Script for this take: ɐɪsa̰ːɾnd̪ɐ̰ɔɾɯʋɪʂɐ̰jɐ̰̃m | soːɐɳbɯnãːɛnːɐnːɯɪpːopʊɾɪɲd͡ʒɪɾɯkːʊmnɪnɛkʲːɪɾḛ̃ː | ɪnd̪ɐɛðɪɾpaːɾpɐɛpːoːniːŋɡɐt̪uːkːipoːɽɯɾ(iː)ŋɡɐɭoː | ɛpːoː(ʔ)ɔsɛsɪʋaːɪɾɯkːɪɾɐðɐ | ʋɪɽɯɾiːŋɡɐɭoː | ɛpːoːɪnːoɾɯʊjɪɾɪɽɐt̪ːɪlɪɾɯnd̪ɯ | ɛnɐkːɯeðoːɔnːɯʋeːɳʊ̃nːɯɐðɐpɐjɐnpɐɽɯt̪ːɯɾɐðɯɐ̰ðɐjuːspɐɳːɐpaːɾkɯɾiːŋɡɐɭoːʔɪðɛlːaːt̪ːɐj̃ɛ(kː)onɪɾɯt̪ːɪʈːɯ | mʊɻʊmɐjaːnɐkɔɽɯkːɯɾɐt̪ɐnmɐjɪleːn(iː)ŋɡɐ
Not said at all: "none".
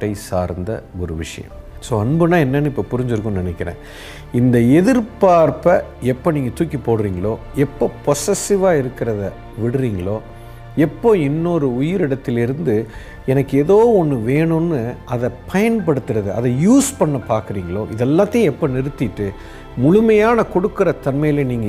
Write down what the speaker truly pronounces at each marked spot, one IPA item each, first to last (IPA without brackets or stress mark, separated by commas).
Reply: iː, p, pː, iː